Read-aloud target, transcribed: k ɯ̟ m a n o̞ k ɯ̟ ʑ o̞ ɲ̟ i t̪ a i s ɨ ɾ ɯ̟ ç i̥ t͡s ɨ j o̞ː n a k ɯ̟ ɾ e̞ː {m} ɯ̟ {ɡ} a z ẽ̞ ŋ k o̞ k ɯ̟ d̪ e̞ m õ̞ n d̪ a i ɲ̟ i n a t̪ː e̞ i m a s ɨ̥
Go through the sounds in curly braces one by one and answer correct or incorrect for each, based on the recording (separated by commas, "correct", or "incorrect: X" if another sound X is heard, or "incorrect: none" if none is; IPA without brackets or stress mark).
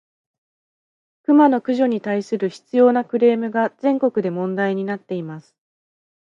correct, correct